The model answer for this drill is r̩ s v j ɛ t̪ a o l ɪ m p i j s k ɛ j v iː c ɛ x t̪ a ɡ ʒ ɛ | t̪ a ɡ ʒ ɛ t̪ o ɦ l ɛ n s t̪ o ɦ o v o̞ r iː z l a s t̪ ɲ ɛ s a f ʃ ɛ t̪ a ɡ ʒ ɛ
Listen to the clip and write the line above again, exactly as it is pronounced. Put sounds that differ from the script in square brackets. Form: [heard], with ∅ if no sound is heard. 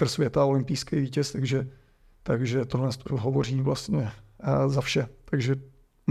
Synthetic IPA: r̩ s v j ɛ t̪ a o l ɪ m p i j s k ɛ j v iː c ɛ [s] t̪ a ɡ ʒ ɛ | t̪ a ɡ ʒ ɛ t̪ o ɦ l ɛ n s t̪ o ɦ o v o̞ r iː [v] l a s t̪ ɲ ɛ [z] a f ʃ ɛ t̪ a ɡ ʒ ɛ